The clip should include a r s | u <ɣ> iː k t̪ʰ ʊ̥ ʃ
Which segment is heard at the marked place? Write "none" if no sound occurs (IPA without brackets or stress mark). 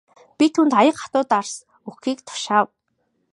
x